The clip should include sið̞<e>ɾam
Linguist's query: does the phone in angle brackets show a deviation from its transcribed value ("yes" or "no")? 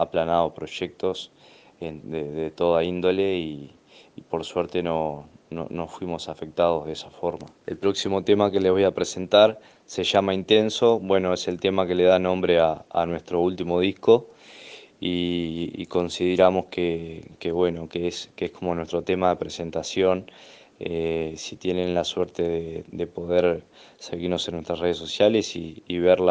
no